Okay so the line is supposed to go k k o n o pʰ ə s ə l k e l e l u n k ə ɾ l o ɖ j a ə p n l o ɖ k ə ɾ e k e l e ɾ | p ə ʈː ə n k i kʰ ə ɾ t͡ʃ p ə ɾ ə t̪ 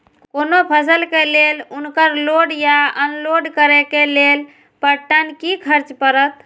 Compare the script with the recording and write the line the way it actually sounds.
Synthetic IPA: k k o n o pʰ ə s ə l k e l e l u n k ə ɾ l o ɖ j a ə n l o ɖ k ə ɾ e k e l e l | p ə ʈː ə n k i kʰ ə ɾ t͡ʃ p ə ɾ ə t̪

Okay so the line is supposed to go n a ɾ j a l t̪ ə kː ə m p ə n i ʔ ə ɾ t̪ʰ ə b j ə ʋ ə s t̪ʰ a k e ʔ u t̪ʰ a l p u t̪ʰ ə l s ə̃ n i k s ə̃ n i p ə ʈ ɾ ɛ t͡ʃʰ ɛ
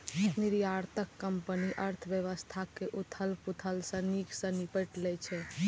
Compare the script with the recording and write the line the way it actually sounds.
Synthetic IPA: n i ɾ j a ɾ t̪ ə kː ə m p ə n i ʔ ə ɾ t̪ʰ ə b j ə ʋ ə s t̪ʰ a k e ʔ u t̪ʰ ə l p u t̪ʰ ə l s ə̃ n i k s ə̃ n i p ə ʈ l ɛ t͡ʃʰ ɛ

